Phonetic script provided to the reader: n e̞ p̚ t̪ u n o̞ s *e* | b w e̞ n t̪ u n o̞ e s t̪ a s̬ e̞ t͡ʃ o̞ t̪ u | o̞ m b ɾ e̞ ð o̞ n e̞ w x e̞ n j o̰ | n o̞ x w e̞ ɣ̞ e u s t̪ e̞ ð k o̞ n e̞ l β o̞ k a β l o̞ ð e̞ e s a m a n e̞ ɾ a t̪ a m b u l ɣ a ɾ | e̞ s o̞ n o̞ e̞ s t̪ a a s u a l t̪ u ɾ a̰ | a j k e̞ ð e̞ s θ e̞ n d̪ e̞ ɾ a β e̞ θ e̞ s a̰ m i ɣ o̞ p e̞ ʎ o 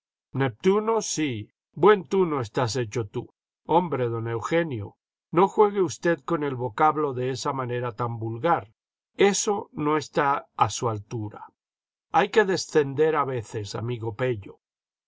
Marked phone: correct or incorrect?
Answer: incorrect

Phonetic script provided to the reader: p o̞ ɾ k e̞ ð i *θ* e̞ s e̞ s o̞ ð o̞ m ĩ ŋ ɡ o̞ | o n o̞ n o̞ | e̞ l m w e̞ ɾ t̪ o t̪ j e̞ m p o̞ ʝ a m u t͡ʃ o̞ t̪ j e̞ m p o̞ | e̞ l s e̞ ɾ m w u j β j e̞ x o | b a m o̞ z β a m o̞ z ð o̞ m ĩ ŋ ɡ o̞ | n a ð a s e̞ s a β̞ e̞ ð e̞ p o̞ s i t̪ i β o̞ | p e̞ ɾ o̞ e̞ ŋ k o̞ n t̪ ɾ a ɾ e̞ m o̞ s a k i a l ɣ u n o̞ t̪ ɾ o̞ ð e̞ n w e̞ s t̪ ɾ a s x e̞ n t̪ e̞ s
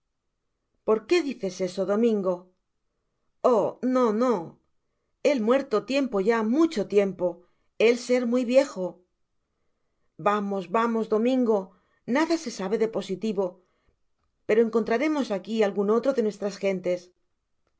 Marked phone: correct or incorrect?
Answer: correct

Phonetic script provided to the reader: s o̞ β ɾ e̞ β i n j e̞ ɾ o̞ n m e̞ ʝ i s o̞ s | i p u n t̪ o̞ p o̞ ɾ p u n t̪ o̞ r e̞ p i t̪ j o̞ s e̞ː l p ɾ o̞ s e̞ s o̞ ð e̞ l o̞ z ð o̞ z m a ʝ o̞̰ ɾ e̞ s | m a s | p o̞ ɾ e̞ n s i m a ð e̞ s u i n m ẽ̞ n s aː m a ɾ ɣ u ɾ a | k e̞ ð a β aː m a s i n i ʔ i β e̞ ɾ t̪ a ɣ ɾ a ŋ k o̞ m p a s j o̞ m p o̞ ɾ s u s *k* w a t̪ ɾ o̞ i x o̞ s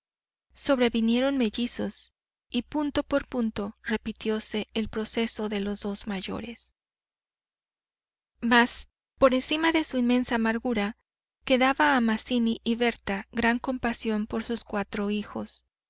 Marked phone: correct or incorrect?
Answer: correct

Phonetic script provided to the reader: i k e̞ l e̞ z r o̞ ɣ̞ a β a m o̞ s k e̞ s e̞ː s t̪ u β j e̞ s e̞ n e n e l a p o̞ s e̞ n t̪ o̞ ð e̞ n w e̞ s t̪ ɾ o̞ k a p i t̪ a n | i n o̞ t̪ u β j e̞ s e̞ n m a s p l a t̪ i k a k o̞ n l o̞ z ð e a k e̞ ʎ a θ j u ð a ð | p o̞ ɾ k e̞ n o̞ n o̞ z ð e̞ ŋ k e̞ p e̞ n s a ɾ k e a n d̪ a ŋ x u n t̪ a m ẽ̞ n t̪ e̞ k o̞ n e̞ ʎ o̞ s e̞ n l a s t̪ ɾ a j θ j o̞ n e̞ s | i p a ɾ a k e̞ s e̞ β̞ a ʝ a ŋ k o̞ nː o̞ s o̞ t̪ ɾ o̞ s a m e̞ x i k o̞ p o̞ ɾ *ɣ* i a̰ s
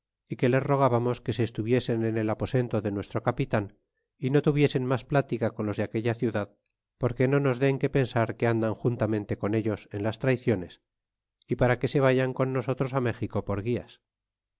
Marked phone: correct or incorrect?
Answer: correct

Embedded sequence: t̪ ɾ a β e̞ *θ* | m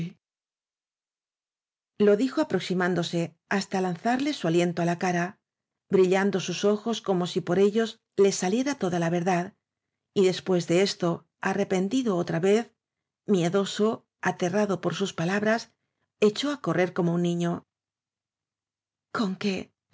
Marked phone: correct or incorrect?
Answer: correct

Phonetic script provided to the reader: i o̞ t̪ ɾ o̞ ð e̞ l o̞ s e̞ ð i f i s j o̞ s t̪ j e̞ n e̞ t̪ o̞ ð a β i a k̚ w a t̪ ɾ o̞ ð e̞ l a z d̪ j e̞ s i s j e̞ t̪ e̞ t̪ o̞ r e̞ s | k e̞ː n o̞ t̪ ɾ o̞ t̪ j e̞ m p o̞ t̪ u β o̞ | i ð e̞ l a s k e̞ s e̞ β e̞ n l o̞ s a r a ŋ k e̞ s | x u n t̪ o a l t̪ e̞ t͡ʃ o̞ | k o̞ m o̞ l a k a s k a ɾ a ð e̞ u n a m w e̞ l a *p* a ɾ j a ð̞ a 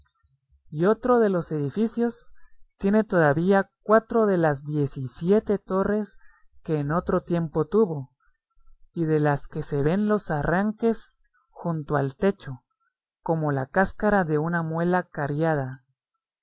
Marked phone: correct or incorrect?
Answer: incorrect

